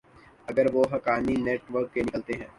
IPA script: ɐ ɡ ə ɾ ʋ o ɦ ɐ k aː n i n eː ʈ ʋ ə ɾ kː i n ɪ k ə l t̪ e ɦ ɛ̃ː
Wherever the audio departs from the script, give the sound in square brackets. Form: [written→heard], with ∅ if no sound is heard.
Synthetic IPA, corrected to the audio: ɐ ɡ ə ɾ ʋ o ɦ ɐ k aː n i n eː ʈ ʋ ə ɾ kː [i→e] n ɪ k ə l t̪ e ɦ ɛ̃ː